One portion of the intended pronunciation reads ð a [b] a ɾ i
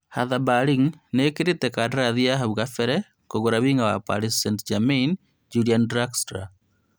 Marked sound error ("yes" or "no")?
no